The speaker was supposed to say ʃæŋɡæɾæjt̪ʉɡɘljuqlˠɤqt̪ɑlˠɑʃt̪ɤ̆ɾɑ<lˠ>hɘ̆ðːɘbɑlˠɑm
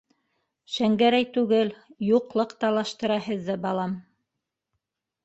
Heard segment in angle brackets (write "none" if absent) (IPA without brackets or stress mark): none